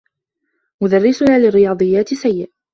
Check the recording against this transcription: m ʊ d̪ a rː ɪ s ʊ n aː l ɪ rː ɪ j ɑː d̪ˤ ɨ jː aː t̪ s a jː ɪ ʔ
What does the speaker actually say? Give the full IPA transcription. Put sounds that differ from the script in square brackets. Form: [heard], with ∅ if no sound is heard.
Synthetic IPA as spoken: m ʊ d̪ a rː ɪ s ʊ n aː l ɪ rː ɪ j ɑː d̪ˤ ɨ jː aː t̪ s a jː ɪ ʔ